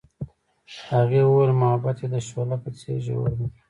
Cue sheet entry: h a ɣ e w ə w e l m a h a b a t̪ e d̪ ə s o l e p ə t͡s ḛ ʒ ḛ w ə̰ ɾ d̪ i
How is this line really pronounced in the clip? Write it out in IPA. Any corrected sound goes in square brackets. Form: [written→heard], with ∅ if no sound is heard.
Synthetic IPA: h a ɣ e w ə w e l m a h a b a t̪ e d̪ ə [s→ʃ] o l [e→a] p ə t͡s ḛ ʒ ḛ w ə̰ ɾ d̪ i